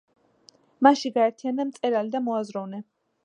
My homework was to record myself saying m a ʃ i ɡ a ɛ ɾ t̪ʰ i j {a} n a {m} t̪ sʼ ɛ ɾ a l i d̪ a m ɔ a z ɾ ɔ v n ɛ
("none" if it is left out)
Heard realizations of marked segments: a, m

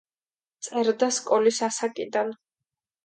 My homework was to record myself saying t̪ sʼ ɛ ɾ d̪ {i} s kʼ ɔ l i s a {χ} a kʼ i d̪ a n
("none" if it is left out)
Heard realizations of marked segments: a, s

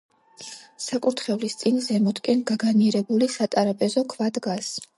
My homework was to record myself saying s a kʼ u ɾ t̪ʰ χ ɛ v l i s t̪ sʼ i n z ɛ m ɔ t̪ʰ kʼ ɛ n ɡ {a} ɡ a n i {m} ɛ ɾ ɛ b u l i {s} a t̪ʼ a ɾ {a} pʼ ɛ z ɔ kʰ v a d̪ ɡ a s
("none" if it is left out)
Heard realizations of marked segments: a, none, s, a

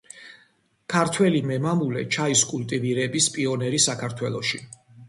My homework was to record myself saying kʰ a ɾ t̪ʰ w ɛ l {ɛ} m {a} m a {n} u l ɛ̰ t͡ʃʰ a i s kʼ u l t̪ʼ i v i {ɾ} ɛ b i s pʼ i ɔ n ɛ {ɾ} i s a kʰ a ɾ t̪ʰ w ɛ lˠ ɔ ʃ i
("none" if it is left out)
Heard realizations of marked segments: i, ɛ, m, ɾ, ɾ

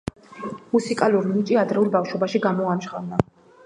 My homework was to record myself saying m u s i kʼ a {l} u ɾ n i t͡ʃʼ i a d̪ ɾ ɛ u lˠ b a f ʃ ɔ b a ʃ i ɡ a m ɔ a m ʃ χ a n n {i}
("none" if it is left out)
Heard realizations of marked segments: l, a

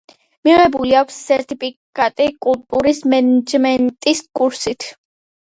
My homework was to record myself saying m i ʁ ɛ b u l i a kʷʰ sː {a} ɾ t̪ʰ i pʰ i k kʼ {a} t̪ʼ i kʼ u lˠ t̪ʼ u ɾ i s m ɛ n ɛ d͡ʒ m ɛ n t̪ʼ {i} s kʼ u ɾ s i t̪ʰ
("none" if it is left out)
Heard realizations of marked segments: ɛ, a, i

